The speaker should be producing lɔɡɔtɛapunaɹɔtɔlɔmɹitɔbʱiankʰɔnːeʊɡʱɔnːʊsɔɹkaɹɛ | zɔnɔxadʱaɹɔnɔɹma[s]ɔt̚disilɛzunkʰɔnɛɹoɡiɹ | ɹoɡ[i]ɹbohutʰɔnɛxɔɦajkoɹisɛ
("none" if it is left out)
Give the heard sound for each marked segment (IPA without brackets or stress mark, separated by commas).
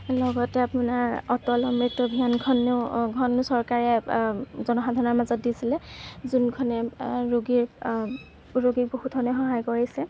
z, i